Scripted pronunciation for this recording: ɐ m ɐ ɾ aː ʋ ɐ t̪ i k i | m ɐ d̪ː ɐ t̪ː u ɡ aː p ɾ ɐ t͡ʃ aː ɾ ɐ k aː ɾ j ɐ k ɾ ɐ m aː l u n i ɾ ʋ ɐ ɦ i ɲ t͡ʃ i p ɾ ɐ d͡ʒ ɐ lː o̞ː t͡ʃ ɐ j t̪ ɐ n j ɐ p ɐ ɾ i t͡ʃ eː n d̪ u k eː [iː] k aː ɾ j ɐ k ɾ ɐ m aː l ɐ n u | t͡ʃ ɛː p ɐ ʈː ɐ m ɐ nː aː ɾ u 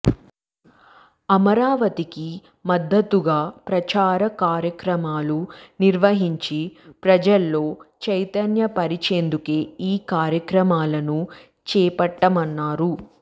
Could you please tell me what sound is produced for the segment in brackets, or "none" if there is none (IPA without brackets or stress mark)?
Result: iː